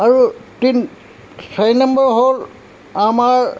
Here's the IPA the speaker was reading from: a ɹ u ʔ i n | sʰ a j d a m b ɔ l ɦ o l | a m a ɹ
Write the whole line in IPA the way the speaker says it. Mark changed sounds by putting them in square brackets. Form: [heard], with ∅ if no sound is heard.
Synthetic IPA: a ɹ u [t] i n | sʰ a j [n] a m b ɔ [ɹ] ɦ o l | a m a ɹ